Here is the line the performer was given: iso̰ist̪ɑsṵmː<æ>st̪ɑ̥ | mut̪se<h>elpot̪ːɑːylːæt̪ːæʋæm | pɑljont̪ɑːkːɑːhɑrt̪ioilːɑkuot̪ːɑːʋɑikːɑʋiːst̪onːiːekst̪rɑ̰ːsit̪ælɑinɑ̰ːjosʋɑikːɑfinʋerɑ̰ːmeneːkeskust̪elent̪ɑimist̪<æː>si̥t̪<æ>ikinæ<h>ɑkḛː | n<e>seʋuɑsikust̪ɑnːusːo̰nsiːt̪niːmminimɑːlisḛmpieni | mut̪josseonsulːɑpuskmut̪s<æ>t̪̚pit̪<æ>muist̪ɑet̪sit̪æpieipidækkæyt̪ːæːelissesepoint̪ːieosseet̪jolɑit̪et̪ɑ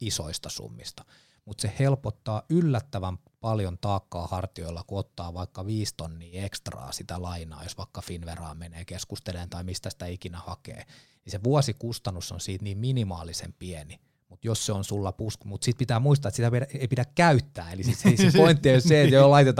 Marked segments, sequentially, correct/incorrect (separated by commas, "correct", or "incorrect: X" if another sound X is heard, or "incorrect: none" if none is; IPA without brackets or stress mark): incorrect: i, correct, incorrect: æ, correct, correct, incorrect: i, incorrect: i, incorrect: æː